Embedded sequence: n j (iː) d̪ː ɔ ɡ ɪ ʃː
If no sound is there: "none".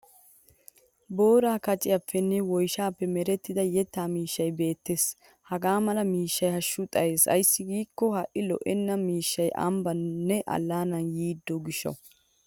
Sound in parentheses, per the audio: iː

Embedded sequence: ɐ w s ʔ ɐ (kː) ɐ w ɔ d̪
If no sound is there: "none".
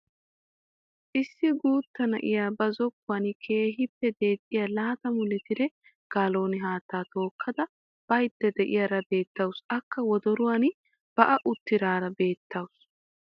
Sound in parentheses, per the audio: kː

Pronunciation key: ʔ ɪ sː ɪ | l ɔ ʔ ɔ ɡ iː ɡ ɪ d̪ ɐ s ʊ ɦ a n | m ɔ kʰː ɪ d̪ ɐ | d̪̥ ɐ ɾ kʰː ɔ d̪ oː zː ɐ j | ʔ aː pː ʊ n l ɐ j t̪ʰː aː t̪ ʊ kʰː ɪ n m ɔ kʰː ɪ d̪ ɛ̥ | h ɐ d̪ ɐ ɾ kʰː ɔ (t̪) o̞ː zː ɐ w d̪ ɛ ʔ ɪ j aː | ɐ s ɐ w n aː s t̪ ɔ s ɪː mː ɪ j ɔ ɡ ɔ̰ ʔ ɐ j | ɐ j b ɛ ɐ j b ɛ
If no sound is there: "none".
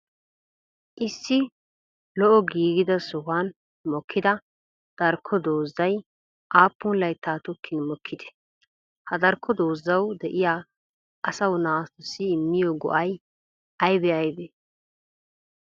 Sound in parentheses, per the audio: d̪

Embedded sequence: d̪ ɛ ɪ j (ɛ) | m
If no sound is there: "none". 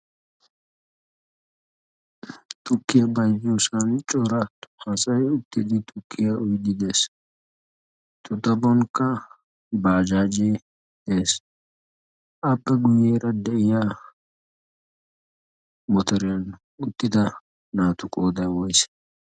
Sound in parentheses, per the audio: a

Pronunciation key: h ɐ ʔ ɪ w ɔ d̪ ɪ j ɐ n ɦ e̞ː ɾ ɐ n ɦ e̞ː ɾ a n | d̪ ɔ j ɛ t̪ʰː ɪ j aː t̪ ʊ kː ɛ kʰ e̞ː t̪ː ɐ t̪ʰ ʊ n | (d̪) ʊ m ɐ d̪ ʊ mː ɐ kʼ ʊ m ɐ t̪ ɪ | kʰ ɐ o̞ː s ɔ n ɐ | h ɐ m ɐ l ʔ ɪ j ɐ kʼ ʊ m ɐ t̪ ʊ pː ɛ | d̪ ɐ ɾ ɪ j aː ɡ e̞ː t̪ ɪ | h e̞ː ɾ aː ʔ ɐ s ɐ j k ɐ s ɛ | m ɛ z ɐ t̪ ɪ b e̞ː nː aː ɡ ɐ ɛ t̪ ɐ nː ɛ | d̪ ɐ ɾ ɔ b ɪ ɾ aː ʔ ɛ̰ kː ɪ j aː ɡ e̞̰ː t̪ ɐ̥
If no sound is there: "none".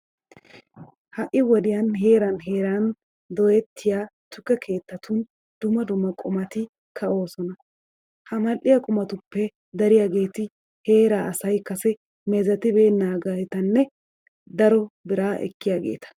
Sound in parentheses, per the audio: d̪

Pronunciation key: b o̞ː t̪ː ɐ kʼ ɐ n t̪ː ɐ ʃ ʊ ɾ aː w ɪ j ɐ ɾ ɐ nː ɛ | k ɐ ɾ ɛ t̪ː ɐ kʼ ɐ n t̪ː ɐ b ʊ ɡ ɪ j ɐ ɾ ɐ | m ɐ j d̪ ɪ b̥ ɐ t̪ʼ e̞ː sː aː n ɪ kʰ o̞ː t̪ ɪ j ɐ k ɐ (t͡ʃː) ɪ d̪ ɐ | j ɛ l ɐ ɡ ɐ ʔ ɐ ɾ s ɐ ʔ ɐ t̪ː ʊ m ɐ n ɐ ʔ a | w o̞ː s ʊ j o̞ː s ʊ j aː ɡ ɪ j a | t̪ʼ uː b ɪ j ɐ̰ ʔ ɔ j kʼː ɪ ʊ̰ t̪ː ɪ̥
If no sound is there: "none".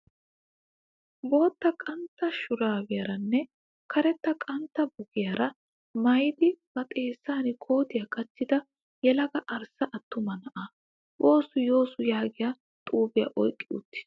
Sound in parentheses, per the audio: t͡ʃː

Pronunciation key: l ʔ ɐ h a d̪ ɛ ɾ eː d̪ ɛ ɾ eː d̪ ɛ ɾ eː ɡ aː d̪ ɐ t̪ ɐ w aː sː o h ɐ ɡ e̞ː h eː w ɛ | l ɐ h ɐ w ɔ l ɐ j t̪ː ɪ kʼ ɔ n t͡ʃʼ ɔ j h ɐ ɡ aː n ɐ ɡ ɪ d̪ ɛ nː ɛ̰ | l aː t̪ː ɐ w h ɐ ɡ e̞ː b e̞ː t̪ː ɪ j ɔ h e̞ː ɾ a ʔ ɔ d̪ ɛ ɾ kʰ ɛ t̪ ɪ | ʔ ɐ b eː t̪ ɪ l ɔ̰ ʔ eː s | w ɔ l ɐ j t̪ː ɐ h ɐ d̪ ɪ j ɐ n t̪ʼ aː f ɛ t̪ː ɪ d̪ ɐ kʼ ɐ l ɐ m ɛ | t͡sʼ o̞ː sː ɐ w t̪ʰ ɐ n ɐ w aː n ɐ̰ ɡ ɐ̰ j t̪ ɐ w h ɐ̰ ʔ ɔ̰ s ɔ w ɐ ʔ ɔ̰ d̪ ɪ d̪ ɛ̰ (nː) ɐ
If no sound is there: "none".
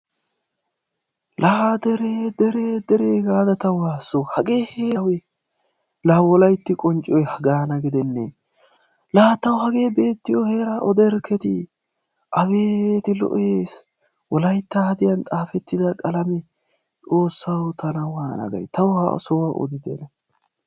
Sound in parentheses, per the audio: n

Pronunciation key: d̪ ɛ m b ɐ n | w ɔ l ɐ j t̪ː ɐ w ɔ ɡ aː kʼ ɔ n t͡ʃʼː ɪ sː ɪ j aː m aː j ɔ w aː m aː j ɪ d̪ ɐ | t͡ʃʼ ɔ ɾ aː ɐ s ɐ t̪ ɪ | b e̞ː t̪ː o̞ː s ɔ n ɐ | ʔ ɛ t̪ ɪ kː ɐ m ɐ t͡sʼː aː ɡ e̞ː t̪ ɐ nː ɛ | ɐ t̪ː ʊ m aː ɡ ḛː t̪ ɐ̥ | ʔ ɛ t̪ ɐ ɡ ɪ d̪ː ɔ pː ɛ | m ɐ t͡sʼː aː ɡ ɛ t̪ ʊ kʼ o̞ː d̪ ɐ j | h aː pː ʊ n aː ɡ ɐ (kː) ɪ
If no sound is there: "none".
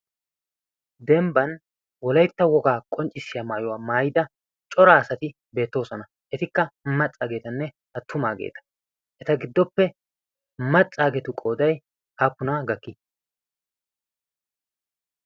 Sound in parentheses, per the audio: kː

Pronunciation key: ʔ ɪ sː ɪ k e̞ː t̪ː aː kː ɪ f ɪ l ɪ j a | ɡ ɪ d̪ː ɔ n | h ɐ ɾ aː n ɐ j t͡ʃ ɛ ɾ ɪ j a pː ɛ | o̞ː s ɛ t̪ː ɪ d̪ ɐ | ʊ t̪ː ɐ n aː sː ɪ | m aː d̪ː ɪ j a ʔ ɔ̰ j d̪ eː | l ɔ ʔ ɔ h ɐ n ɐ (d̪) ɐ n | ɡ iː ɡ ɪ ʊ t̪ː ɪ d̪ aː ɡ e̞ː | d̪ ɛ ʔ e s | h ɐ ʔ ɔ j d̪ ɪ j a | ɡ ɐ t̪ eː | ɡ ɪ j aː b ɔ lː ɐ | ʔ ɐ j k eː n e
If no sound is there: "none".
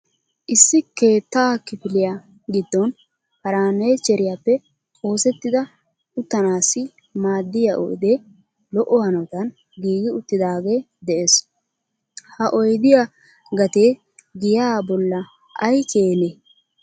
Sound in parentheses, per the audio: t̪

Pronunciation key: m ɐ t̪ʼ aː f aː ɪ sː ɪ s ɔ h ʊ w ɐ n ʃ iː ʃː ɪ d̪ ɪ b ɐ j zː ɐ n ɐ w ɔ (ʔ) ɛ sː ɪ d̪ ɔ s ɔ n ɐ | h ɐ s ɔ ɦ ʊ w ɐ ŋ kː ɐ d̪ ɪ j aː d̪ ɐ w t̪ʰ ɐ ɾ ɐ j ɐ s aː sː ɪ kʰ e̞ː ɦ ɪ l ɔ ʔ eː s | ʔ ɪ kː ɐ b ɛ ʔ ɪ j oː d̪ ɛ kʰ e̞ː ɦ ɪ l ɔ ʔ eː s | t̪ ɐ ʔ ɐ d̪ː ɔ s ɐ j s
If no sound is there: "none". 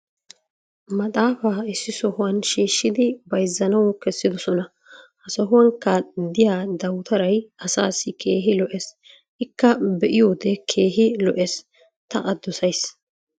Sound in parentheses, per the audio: k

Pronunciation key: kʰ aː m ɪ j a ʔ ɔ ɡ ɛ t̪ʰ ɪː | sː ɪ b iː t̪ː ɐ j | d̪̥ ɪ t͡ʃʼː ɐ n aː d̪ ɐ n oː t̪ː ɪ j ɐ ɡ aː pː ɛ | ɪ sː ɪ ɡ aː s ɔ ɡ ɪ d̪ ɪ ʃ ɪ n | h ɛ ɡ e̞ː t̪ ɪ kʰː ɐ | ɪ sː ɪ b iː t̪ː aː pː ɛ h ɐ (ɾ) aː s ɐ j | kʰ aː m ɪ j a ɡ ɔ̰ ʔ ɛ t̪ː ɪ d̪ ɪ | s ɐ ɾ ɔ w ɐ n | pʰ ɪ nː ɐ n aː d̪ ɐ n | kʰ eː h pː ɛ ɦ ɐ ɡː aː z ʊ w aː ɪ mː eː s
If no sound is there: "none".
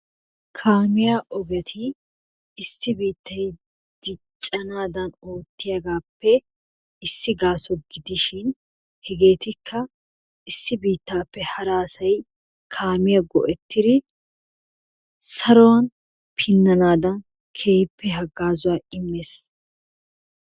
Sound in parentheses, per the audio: ɾ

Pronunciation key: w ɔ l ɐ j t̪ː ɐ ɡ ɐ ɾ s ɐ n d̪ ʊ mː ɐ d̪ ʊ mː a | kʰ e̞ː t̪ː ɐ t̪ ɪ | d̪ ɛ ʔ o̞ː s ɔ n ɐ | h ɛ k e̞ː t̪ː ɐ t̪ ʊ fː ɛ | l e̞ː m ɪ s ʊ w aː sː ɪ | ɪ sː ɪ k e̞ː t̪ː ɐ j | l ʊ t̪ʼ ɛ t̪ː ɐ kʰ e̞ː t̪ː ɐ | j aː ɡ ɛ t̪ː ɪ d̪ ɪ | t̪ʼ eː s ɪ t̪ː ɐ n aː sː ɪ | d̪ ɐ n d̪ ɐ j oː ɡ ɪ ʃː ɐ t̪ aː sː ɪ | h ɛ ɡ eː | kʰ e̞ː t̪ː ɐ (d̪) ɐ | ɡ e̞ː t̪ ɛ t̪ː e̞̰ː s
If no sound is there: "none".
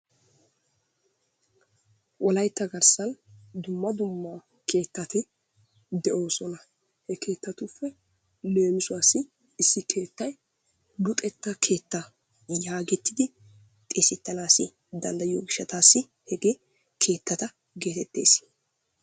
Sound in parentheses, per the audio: t̪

